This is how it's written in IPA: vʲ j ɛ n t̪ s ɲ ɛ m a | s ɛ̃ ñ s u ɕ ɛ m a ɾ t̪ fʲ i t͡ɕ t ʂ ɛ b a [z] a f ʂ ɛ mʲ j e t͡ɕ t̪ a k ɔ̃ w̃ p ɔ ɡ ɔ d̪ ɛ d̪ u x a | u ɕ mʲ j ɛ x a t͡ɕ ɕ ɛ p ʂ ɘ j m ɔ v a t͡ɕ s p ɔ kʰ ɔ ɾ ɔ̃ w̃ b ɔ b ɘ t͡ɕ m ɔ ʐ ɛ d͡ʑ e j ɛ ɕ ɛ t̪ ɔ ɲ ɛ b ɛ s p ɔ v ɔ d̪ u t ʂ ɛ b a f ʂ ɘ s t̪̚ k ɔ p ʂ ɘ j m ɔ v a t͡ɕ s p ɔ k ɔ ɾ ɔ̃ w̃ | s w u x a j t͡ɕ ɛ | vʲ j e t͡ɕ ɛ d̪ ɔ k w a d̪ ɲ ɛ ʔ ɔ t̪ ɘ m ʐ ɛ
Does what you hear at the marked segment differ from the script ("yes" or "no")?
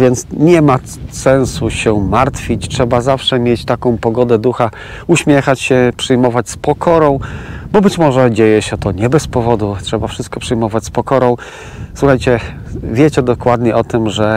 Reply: no